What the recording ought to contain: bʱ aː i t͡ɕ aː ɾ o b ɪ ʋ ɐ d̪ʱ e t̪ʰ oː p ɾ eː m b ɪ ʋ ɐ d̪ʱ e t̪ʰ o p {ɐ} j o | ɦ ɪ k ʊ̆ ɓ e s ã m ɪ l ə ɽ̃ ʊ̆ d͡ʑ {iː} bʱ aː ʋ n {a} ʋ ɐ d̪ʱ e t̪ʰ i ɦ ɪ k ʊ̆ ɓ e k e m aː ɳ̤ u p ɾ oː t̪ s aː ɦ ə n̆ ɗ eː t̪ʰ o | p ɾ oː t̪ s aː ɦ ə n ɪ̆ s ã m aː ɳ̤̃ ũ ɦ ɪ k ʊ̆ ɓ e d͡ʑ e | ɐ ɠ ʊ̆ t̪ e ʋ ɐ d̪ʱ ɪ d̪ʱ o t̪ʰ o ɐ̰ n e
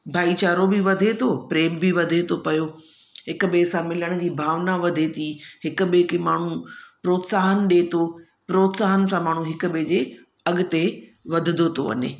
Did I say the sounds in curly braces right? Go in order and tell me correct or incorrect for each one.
correct, correct, correct

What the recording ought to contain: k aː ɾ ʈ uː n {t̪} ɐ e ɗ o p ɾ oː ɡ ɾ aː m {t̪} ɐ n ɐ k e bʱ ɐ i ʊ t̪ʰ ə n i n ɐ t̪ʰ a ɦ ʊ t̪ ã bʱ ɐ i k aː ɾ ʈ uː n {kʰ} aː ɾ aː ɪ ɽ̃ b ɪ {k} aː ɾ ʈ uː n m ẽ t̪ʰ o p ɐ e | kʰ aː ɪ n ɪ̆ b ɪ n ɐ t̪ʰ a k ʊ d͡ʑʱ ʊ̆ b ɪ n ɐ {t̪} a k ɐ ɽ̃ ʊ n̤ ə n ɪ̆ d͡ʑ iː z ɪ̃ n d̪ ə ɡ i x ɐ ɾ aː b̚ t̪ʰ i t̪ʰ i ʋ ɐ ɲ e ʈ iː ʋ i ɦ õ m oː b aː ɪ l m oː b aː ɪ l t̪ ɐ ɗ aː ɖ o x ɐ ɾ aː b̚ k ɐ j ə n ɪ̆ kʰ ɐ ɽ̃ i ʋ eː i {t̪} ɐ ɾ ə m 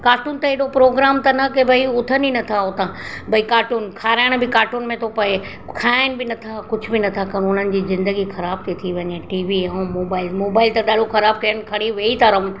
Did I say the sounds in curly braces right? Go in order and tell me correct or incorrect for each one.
correct, correct, correct, correct, incorrect, correct

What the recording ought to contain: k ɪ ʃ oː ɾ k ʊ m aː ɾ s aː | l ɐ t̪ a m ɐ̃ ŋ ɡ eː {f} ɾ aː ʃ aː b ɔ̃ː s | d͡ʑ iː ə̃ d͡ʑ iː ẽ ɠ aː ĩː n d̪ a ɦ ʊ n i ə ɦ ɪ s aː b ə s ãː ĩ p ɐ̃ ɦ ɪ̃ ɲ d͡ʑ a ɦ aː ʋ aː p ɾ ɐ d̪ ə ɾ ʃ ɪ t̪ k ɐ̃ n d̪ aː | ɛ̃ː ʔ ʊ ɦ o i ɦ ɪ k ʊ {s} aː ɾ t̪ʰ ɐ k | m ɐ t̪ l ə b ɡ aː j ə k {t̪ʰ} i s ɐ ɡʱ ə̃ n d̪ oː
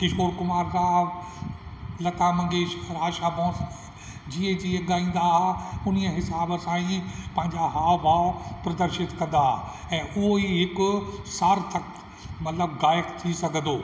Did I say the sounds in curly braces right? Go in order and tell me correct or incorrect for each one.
incorrect, correct, correct

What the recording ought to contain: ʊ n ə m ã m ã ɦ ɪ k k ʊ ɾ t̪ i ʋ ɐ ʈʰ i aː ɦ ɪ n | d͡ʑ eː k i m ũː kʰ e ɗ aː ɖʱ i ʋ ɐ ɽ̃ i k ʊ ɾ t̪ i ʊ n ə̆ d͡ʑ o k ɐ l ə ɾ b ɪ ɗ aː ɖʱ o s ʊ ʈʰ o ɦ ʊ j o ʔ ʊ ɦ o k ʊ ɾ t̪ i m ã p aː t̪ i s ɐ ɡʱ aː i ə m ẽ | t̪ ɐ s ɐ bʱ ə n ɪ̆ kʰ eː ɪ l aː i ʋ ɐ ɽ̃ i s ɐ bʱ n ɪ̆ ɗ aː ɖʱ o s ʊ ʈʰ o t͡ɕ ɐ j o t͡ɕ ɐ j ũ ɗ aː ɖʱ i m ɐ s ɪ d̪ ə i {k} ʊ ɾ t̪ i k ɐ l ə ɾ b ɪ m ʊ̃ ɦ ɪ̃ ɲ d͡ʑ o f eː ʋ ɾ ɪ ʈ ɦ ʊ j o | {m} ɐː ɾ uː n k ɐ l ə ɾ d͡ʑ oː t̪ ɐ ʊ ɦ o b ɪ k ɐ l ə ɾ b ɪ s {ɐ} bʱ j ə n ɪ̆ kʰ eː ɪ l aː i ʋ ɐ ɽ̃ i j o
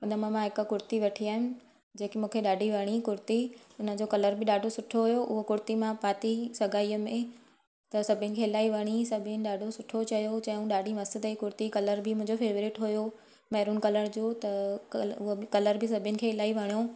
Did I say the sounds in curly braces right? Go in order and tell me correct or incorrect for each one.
correct, correct, correct

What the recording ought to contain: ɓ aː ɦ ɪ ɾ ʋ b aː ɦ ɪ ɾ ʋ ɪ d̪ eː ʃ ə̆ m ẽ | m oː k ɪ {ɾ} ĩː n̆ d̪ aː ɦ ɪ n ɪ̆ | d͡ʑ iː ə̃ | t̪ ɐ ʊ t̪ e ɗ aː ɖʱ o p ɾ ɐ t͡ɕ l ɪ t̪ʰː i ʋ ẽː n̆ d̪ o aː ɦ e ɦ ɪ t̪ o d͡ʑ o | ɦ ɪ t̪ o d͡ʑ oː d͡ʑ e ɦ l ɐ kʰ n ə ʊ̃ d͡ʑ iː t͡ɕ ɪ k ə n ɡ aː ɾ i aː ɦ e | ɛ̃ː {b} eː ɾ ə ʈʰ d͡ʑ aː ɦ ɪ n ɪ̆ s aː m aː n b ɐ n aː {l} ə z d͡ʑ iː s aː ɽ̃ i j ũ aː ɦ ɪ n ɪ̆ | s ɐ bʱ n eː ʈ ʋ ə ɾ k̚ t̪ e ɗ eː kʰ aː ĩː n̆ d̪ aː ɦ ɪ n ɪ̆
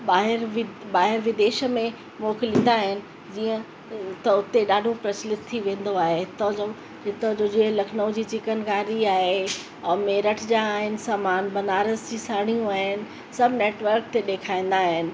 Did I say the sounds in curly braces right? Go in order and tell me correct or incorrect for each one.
incorrect, incorrect, incorrect

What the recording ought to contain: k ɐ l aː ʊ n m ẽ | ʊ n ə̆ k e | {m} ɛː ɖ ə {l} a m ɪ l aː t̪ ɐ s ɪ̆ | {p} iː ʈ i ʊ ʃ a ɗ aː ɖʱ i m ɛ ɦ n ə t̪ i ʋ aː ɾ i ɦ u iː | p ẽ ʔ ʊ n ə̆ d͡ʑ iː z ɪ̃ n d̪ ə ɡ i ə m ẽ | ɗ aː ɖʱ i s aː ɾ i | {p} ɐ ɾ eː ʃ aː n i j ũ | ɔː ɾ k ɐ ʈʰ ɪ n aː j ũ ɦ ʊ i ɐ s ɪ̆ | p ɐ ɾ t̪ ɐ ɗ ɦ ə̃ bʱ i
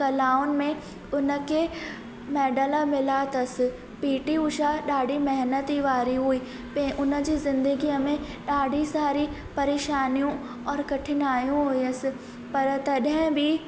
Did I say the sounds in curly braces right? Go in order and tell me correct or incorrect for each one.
correct, correct, correct, correct

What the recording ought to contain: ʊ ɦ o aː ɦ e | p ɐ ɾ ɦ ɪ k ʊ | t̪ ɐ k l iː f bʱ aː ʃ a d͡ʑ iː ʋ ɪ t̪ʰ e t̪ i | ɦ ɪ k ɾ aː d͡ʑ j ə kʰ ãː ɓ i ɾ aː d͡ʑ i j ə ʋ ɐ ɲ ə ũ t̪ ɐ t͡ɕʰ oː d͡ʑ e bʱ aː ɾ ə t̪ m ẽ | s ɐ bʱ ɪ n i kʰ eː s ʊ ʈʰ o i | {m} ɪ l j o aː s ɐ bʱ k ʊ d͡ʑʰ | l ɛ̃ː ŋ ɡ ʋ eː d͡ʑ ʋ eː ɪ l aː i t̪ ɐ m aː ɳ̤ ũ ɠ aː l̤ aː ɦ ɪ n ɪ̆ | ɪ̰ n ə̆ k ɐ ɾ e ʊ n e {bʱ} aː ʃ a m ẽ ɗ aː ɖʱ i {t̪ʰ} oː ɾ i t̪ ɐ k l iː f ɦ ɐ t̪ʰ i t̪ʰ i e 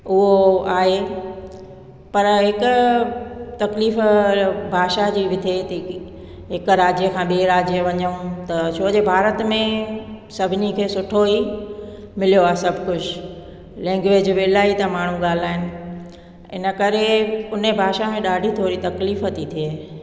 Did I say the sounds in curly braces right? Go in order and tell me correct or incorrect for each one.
correct, correct, correct

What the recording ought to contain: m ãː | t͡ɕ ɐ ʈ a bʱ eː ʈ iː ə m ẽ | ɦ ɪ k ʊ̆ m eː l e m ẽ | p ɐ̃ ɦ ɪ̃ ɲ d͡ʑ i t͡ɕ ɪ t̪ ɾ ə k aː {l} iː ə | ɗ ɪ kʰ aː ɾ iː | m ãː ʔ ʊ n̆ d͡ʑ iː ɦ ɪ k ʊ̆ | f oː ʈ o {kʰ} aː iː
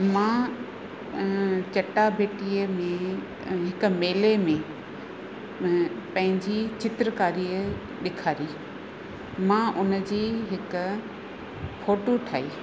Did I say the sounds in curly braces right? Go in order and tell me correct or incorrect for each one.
incorrect, incorrect

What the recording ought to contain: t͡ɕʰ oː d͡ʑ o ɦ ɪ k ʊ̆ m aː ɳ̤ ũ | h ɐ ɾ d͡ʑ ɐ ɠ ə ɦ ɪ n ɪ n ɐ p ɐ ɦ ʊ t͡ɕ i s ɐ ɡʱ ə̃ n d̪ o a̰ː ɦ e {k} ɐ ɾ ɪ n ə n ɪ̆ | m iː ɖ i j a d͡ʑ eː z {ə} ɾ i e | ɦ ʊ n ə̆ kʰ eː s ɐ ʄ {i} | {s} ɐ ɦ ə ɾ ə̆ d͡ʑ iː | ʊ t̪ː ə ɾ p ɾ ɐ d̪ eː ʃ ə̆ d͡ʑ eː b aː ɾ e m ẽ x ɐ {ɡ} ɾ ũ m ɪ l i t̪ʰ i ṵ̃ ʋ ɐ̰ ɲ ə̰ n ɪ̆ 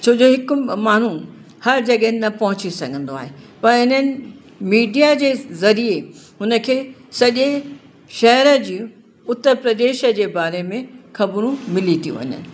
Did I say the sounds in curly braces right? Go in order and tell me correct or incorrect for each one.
incorrect, incorrect, incorrect, incorrect, incorrect

